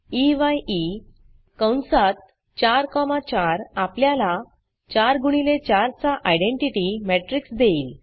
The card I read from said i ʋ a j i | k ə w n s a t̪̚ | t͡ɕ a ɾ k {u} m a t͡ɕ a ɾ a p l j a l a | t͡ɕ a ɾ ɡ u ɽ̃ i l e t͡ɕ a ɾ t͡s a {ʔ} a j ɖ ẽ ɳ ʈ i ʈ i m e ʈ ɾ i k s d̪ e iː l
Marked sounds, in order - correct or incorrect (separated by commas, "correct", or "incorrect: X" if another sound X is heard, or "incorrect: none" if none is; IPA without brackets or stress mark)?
incorrect: ɔ, correct